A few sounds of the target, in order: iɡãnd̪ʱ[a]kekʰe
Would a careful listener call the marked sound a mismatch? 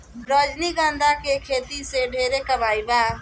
no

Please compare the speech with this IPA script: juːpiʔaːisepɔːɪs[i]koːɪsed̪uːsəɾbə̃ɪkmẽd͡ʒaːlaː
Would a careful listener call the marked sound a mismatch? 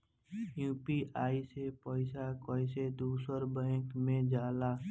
yes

